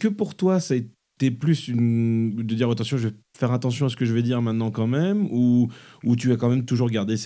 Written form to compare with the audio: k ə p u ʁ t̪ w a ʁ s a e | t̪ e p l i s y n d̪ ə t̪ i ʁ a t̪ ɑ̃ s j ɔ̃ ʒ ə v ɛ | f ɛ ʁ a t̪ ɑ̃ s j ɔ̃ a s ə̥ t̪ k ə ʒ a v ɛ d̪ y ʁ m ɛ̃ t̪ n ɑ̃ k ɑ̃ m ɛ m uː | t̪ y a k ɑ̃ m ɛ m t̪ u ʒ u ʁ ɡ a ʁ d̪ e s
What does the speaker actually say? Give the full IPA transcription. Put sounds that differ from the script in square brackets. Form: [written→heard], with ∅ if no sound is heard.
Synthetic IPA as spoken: k ə p u ʁ t̪ w a [ʁ→∅] s a e | t̪ e p l [i→y] s y n d̪ ə [t̪→d̪] i ʁ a t̪ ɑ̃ s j ɔ̃ ʒ ə v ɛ | f ɛ ʁ a t̪ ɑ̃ s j ɔ̃ a s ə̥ [t̪→∅] k ə ʒ [a→ə] v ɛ d̪ [y→i] ʁ m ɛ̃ t̪ n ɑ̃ k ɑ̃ m ɛ m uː | t̪ y a k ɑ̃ m ɛ m t̪ u ʒ u ʁ ɡ a ʁ d̪ e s